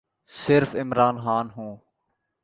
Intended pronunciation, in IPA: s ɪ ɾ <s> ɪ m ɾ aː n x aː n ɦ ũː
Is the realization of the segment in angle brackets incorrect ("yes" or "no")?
yes